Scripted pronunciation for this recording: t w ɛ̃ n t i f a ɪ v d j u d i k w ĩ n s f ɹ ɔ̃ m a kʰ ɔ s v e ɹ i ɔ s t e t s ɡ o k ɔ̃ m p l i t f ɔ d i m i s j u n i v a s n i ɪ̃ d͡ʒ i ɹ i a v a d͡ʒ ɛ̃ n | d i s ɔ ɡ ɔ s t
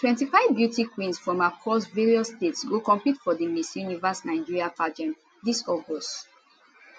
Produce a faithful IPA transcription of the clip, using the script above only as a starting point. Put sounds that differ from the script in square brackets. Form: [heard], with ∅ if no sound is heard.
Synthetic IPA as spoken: t w ɛ̃ n t i f a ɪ v [b] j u [t] i k w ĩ n s f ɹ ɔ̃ m a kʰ ɔ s v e ɹ i ɔ s t e t s ɡ o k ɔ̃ m p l i t f ɔ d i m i s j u n i v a s n [a] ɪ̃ d͡ʒ i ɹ i a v a d͡ʒ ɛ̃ n | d i s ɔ ɡ ɔ s t